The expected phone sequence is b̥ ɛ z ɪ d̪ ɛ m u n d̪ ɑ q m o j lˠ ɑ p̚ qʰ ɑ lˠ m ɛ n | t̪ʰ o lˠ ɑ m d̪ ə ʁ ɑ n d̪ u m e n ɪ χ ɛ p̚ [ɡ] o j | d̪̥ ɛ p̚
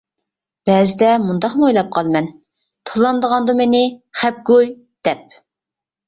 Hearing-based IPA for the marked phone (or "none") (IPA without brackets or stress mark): ɡ